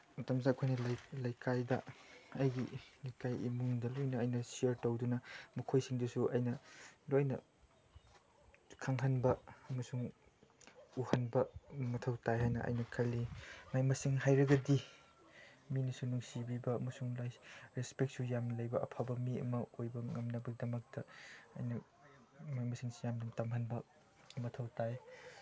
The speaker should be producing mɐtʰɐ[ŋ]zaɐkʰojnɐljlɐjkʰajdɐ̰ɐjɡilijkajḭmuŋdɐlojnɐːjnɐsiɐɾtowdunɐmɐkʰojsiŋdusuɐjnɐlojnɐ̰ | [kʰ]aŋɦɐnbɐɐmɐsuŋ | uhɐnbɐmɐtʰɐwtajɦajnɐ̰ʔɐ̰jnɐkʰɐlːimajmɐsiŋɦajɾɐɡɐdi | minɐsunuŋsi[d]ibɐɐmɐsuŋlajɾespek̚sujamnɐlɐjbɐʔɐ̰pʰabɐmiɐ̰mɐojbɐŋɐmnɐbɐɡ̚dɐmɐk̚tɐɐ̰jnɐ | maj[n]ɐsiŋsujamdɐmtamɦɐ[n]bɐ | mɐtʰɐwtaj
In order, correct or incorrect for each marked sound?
incorrect, correct, incorrect, incorrect, correct

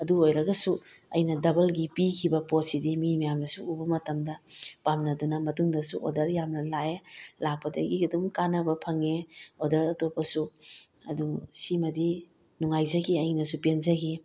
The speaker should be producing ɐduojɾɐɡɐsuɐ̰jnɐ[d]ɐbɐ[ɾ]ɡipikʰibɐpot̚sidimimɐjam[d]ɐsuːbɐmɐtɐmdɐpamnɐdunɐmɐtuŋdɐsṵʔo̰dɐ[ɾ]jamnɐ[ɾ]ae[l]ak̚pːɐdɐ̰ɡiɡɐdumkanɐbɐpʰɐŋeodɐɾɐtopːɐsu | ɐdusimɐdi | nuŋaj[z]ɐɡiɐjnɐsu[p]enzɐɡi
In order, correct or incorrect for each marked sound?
correct, incorrect, incorrect, correct, incorrect, correct, correct, correct

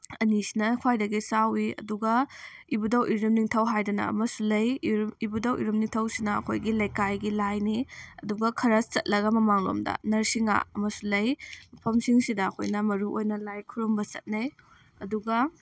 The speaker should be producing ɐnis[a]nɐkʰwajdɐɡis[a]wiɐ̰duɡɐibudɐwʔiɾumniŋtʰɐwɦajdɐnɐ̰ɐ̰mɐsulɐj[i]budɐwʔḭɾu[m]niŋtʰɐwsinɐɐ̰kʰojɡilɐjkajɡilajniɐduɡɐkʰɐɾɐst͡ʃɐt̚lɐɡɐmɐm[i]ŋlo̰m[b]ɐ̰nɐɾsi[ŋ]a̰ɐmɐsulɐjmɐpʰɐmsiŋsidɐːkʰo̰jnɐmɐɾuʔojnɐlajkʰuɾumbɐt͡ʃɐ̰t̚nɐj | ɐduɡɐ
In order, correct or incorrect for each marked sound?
incorrect, correct, correct, correct, incorrect, incorrect, correct

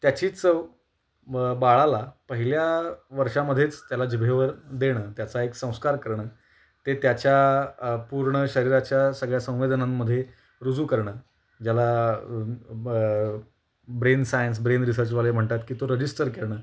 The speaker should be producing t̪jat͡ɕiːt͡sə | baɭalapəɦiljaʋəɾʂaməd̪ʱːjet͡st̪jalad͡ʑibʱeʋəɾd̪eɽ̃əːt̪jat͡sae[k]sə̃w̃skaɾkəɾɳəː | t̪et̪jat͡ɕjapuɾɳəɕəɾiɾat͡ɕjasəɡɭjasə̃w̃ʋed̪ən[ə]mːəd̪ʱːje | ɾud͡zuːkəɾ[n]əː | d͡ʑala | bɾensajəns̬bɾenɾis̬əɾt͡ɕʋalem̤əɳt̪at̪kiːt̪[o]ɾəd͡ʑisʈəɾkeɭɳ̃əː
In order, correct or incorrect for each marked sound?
correct, incorrect, incorrect, correct

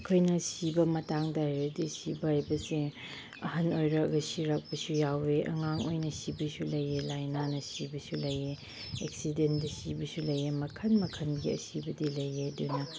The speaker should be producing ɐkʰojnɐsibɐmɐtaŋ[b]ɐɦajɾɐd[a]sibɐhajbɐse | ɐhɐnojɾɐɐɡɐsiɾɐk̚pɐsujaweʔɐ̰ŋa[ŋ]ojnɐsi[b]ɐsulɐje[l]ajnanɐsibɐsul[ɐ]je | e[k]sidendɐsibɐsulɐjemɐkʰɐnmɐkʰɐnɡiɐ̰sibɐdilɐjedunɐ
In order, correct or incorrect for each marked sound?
incorrect, incorrect, correct, correct, correct, correct, correct

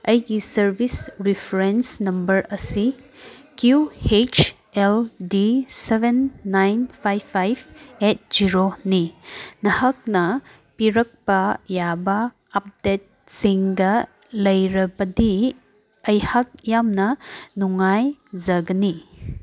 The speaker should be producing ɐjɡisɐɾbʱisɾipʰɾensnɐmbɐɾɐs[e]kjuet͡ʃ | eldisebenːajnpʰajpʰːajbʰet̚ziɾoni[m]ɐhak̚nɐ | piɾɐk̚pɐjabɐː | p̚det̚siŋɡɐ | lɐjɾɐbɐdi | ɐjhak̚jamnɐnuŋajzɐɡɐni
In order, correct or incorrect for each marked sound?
incorrect, incorrect

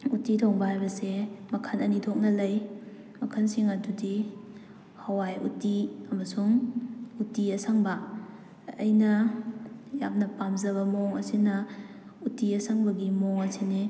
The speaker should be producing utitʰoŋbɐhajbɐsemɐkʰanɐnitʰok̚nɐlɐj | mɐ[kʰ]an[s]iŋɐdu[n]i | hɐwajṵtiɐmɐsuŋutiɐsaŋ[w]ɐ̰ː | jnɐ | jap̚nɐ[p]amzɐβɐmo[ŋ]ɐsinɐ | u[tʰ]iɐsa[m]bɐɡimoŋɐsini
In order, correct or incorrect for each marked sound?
correct, correct, incorrect, incorrect, correct, correct, incorrect, incorrect

